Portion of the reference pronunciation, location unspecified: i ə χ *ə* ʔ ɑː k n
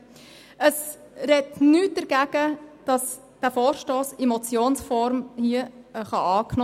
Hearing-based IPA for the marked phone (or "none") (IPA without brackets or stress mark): ɑ